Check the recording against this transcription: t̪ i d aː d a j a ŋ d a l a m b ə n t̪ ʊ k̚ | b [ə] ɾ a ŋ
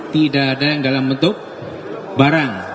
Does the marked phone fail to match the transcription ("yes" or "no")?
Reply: yes